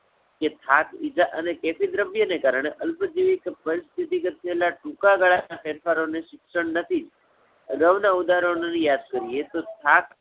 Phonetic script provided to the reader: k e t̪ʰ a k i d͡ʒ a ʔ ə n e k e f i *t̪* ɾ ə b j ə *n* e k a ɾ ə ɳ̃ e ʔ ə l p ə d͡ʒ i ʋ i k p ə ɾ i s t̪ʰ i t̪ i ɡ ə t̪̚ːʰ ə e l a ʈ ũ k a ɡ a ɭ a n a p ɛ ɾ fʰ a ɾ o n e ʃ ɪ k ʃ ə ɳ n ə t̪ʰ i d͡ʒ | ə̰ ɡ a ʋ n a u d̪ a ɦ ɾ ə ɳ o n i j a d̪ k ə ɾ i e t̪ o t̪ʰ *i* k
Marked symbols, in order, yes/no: no, yes, no

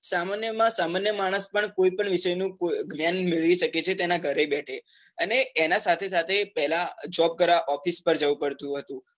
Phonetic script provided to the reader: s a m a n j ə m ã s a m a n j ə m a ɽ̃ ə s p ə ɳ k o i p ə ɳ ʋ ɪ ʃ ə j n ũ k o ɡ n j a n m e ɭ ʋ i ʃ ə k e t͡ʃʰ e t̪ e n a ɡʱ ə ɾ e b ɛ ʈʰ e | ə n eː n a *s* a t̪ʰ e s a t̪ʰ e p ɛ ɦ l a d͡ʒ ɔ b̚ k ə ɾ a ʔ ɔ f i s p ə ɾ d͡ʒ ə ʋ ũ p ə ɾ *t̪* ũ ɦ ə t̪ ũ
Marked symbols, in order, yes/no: yes, yes

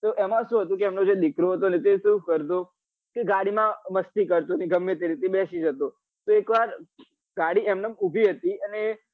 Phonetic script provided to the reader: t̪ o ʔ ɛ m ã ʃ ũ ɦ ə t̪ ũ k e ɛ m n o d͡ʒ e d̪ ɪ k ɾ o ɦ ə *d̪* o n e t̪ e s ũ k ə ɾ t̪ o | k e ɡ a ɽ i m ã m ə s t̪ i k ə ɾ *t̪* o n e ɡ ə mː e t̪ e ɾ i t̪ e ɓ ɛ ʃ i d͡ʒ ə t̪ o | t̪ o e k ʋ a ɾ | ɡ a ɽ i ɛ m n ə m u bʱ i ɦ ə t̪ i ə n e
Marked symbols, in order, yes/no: no, yes

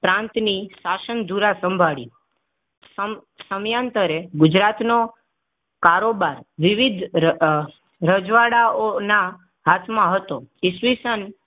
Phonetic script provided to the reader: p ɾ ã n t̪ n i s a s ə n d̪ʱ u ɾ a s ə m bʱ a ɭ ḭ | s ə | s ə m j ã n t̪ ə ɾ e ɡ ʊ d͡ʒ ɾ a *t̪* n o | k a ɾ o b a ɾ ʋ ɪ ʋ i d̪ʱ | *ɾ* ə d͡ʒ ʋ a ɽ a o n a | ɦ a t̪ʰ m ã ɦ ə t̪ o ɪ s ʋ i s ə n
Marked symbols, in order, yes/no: yes, yes

